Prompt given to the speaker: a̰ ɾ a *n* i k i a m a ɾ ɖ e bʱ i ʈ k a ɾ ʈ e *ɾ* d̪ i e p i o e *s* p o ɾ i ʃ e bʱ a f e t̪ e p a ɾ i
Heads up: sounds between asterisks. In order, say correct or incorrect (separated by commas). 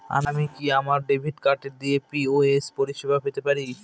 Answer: incorrect, correct, correct